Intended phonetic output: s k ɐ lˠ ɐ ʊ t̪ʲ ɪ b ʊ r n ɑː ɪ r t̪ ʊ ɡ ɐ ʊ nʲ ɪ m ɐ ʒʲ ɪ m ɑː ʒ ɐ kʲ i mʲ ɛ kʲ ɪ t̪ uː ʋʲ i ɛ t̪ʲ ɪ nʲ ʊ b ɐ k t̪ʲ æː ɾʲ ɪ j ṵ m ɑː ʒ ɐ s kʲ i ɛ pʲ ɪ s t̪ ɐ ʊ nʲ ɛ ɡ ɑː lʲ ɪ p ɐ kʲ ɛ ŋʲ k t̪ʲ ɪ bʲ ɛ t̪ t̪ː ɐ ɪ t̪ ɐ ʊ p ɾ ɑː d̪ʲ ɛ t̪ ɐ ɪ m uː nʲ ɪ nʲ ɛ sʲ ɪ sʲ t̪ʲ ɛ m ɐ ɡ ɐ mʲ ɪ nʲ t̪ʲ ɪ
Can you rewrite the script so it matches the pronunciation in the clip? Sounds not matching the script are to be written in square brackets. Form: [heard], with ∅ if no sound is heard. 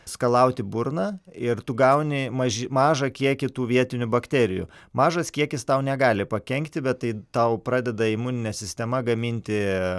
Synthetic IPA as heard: s k ɐ lˠ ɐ ʊ t̪ʲ ɪ b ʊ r n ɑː ɪ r t̪ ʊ ɡ ɐ ʊ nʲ ɪ m ɐ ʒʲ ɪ m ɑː ʒ ɐ kʲ i [∅] ɛ kʲ ɪ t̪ uː ʋʲ i ɛ t̪ʲ ɪ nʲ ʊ b ɐ k t̪ʲ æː ɾʲ ɪ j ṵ m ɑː ʒ ɐ s kʲ i ɛ [kʲ] ɪ s t̪ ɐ ʊ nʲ ɛ ɡ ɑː lʲ ɪ p ɐ kʲ ɛ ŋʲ k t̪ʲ ɪ bʲ ɛ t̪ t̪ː ɐ ɪ t̪ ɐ ʊ p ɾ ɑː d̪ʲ ɛ [d̪] ɐ ɪ m uː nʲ ɪ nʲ ɛ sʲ ɪ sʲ t̪ʲ ɛ m ɐ ɡ ɐ mʲ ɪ nʲ t̪ʲ ɪ